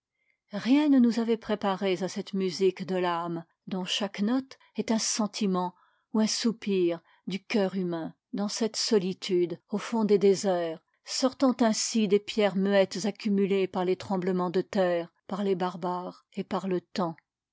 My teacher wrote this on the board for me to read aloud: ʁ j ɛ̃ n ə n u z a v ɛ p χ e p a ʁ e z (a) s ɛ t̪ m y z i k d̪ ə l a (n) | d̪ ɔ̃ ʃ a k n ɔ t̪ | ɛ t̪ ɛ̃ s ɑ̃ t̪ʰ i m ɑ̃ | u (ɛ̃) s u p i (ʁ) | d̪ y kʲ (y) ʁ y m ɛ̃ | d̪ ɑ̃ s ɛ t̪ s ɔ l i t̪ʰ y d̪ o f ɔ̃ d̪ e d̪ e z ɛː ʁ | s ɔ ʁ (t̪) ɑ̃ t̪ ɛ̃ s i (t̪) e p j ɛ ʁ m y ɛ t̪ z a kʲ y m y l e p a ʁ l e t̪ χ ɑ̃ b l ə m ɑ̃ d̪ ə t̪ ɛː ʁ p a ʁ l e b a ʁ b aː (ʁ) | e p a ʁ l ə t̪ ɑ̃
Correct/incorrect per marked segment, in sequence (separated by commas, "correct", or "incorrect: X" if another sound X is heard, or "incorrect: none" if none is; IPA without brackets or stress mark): correct, incorrect: m, correct, correct, incorrect: œ, correct, incorrect: d̪, correct